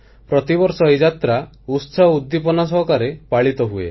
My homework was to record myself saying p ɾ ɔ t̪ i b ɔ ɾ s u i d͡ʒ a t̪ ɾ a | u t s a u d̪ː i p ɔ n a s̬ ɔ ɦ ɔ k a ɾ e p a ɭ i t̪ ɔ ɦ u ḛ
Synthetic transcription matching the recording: p ɾ ɔ t̪ i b ɔ ɾ s ɔ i d͡ʒ a t̪ ɾ a | u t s a u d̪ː i p ɔ n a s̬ ɔ ɦ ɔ k a ɾ e p a ɭ i t̪ ɔ ɦ u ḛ